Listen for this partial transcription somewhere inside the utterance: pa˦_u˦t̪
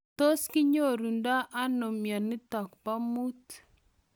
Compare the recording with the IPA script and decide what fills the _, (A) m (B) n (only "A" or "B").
A